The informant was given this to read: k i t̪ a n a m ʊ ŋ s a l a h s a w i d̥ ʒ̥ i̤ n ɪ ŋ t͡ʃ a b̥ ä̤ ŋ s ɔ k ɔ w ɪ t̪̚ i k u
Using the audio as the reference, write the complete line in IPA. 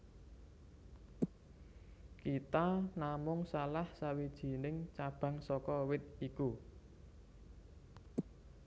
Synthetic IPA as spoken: k i t̪ a n a m ʊ ŋ s a l a h s a w i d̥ ʒ̥ i̤ n ɪ ŋ t͡ʃ a b̥ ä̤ ŋ s ɔ k ɔ w ɪ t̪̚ i k u